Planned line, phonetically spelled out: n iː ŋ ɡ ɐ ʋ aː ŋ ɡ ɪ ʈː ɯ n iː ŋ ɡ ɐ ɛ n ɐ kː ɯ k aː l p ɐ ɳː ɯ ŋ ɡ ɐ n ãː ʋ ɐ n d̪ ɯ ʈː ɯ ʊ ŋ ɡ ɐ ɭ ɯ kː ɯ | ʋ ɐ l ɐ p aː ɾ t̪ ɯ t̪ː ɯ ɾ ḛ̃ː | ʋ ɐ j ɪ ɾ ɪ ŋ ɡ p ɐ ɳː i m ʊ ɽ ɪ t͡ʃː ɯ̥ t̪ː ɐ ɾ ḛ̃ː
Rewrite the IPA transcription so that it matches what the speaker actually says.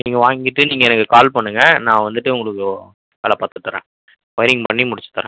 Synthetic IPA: n iː ŋ ɡ ɐ ʋ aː ŋ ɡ ɪ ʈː ɯ n iː ŋ ɡ ɐ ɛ n ɐ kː ɯ k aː l p ɐ ɳː ɯ ŋ ɡ ɐ n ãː ʋ ɐ n d̪ ɯ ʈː ɯ ʊ ŋ ɡ ɐ ɭ ɯ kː ɯ | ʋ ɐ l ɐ p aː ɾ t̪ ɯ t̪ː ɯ ɾ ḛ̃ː | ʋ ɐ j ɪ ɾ ɪ ŋ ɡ p ɐ ɳː i m ʊ ɽ ɪ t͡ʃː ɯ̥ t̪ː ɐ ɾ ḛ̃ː